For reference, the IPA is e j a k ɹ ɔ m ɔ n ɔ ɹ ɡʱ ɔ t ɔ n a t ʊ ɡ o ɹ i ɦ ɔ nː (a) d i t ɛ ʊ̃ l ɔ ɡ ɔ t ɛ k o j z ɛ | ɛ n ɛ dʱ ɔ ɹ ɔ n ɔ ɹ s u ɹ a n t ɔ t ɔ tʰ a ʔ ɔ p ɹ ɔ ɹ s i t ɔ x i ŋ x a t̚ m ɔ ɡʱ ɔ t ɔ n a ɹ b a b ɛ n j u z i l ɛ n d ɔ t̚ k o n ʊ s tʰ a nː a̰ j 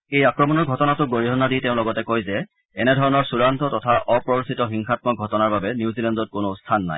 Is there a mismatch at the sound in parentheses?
no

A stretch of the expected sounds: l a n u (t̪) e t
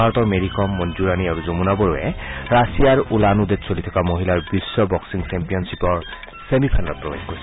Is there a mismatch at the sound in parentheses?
yes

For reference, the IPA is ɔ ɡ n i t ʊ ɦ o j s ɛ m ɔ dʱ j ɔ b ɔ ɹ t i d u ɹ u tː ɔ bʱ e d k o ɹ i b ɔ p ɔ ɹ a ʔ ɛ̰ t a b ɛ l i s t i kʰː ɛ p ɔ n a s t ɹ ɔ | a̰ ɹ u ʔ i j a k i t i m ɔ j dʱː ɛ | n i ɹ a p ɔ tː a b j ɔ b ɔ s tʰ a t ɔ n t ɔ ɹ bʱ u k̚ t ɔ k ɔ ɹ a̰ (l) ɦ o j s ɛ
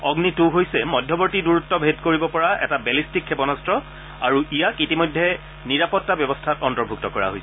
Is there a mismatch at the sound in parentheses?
yes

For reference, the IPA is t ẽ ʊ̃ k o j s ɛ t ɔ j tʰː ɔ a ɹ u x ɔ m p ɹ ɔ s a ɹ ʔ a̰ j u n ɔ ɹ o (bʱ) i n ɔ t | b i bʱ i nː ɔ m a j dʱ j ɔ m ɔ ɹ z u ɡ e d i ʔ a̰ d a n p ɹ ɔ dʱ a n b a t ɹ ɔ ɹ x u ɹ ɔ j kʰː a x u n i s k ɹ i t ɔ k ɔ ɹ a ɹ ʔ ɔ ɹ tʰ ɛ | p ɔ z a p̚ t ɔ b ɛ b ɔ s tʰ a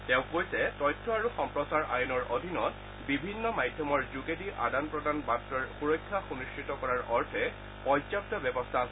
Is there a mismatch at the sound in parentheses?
yes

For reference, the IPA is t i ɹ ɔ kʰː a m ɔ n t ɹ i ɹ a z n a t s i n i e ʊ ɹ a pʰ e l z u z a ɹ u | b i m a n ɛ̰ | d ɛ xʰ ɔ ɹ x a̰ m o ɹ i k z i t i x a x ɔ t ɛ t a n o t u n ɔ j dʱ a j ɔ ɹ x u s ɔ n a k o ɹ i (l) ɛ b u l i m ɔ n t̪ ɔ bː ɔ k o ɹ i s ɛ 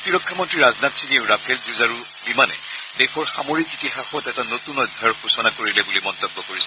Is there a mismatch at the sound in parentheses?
no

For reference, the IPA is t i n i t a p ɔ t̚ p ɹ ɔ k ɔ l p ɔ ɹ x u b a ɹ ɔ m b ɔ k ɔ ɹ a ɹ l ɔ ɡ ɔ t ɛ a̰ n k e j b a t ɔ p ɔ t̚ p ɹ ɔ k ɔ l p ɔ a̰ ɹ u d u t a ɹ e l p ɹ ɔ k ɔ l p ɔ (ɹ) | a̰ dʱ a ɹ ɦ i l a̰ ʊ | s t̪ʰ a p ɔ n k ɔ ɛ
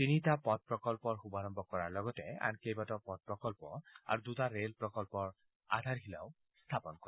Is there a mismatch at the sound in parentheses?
no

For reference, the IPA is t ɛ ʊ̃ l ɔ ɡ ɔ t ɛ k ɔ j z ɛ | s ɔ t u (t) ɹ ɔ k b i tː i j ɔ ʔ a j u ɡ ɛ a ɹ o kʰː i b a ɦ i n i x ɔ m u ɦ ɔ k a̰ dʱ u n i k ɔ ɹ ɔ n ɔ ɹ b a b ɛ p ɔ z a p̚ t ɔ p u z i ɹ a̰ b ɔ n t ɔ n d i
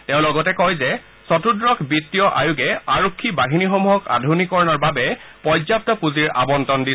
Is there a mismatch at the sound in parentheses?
yes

